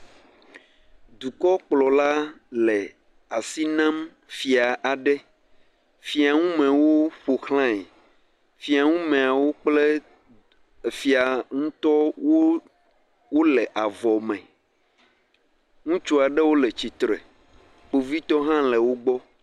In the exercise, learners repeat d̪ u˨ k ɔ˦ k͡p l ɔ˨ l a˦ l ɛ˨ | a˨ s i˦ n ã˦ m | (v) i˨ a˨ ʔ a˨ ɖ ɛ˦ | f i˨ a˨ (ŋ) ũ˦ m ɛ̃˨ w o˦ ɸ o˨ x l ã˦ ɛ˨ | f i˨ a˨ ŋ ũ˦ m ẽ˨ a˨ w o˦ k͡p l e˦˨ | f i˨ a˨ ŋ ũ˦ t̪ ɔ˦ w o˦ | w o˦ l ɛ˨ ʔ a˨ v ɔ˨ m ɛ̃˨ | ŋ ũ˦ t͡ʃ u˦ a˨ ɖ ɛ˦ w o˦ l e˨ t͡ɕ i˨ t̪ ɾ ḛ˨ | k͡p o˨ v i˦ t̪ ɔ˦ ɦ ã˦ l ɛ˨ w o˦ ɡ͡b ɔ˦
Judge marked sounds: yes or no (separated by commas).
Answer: no, yes